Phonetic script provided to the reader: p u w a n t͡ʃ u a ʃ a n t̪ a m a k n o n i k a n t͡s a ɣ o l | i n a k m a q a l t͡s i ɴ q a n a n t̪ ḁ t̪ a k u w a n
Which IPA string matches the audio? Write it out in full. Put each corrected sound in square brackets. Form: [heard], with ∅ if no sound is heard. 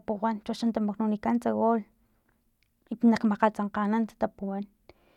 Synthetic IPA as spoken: p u w a n t͡ʃ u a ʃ a n t̪ a m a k n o n i k a n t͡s a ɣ o l | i n a k m a q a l t͡s [a] ɴ q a n a n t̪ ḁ t̪ a [p] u w a n